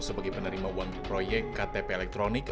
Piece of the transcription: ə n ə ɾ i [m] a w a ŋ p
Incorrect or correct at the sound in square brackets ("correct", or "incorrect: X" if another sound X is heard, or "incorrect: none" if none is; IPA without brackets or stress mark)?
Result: correct